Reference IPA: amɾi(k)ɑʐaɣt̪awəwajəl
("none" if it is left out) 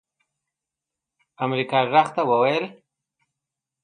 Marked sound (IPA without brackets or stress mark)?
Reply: k